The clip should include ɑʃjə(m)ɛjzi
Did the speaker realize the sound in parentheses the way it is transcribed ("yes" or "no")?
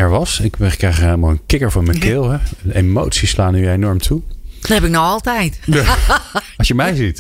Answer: yes